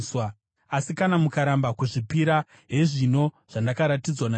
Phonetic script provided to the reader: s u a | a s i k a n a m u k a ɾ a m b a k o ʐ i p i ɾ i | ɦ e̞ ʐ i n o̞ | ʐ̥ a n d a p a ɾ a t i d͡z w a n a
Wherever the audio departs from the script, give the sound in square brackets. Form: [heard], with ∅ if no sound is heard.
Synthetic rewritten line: s [w] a | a s i k a n a m u k a ɾ a m b a k [u] ʐ i p i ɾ [a] | ɦ e̞ ʐ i n o̞ | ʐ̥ a n d a [k] a ɾ a t i d͡z w a n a